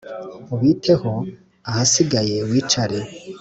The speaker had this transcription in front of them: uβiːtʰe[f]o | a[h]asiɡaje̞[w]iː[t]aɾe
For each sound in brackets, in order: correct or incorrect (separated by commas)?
incorrect, correct, correct, incorrect